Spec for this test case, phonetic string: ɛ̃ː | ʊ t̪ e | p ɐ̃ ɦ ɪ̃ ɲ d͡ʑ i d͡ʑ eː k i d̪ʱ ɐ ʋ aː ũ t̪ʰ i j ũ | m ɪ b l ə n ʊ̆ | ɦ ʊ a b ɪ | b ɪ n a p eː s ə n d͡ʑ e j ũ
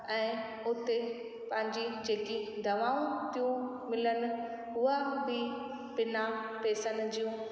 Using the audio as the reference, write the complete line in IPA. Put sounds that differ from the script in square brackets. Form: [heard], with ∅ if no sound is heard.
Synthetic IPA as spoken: ɛ̃ː | ʊ t̪ e | p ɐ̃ ɦ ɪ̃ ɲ d͡ʑ i d͡ʑ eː k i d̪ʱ ɐ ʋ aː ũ [t̪] i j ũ | m ɪ [∅] l ə n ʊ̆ | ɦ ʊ a b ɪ | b ɪ n a p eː s ə n d͡ʑ [i] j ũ